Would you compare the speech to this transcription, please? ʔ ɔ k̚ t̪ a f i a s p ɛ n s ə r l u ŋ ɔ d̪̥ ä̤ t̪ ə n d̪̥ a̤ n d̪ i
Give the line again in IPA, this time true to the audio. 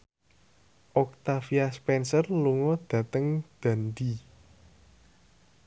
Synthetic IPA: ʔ ɔ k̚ t̪ a f i a s p ɛ n s ə r l u ŋ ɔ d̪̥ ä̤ t̪ ə ŋ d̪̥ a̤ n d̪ i